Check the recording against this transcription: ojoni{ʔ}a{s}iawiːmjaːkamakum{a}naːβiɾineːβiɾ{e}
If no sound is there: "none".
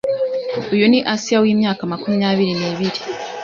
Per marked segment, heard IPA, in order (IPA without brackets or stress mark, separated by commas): ʔ, s, i, i